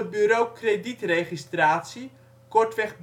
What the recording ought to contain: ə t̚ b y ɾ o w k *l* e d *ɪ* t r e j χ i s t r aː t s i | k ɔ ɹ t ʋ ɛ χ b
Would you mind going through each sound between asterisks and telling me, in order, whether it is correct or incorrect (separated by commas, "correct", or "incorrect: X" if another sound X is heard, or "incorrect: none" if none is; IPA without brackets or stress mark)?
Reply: incorrect: r, incorrect: i